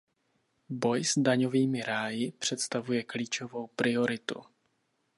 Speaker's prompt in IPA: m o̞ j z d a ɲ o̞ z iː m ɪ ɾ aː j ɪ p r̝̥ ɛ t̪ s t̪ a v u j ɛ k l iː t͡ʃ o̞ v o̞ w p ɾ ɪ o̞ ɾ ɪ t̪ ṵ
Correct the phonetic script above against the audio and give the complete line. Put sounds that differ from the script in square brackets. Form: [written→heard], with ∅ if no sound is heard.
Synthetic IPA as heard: [m→b] o̞ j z d a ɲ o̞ [z→v] iː m ɪ ɾ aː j ɪ p r̝̥ ɛ t̪ s t̪ a v u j ɛ k l iː t͡ʃ o̞ v o̞ w p ɾ ɪ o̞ ɾ ɪ t̪ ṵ